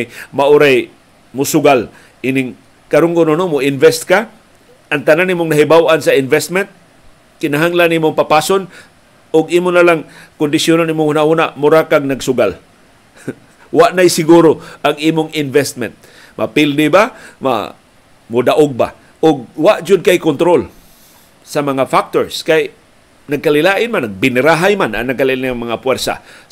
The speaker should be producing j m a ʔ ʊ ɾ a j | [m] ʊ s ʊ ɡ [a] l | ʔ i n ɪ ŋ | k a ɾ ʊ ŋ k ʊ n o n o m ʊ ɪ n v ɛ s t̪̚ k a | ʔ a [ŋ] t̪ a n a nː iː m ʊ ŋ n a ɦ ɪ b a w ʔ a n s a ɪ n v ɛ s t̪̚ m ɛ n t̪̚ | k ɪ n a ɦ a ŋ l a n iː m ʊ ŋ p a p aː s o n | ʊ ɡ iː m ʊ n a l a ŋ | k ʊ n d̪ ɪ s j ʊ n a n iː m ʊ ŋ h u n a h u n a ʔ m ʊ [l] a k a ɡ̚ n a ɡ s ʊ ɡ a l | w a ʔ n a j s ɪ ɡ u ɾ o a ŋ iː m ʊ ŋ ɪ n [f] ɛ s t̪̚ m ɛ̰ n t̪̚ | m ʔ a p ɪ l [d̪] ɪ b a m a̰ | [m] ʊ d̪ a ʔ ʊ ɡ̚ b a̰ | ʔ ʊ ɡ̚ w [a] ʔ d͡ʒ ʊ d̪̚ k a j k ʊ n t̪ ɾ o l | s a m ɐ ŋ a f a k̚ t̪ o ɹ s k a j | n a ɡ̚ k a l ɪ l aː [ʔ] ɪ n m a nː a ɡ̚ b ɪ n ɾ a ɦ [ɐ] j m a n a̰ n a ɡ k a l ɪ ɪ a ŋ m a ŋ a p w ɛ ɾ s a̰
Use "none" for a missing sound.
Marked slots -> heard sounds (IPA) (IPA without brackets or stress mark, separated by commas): m, a, ŋ, ɾ, v, d̪, m, a, ʔ, a